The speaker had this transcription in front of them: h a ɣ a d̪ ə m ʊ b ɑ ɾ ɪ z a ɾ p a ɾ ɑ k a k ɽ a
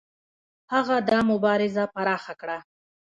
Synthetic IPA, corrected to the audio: h a ɣ a d̪ ɑ m ʊ b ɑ ɾ ɪ z a p a ɾ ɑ x a k ɽ a